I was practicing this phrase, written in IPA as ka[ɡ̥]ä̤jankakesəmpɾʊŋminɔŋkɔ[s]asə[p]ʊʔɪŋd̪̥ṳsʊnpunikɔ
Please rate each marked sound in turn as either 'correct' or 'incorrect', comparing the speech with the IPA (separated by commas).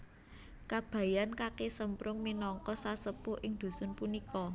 incorrect, correct, correct